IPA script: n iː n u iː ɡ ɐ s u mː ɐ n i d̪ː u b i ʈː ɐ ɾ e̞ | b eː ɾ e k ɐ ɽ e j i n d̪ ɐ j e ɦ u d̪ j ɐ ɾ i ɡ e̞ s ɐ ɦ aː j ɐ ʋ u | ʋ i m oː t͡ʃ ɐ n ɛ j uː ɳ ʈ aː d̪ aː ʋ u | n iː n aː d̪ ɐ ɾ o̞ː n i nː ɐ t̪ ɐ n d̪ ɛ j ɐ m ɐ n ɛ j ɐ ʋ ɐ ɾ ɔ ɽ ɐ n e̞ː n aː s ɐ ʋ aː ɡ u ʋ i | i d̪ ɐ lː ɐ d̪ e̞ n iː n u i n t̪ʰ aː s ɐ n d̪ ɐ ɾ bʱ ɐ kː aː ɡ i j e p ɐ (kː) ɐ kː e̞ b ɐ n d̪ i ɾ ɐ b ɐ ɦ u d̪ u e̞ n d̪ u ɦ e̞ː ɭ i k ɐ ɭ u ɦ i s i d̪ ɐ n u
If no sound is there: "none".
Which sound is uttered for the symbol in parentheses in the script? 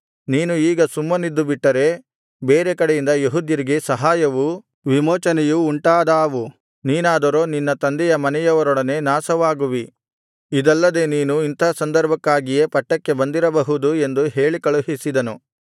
ʈː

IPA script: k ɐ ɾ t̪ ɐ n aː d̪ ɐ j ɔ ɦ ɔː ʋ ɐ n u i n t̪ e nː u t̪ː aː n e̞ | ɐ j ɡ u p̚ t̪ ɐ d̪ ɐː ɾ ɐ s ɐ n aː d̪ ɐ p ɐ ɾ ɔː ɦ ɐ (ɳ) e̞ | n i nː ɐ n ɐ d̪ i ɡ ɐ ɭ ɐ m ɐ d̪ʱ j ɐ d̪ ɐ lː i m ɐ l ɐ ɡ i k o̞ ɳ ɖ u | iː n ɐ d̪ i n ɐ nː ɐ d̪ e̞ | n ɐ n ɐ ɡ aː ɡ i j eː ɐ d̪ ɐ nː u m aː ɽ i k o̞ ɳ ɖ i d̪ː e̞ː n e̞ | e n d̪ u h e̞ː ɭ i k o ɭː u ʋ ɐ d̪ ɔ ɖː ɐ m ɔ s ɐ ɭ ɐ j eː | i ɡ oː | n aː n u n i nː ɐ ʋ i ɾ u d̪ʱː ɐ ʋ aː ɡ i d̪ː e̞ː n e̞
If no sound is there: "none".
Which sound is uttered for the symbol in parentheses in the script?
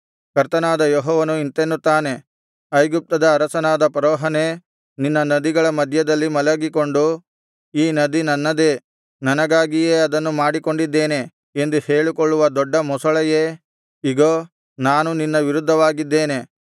n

